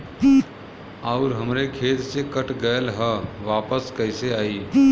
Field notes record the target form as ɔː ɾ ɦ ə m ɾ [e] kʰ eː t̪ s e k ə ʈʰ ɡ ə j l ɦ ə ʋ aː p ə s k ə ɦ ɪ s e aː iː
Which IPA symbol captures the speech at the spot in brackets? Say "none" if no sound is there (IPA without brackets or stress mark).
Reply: e